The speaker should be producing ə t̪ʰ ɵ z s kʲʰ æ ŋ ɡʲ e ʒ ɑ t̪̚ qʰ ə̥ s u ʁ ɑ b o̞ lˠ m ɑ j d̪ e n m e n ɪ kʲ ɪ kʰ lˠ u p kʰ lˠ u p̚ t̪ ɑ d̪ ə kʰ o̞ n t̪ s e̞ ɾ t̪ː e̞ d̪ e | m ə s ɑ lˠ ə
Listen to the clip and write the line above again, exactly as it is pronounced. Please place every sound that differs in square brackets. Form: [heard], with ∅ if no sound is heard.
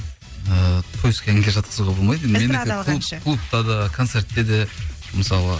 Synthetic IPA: ə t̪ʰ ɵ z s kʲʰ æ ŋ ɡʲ e ʒ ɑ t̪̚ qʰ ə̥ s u ʁ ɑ b o̞ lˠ m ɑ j d̪ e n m e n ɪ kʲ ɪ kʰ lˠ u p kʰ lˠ u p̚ t̪ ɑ d̪ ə kʰ o̞ n t̪ s e̞ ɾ t̪ː e̞ d̪ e | m ə s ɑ lˠ ə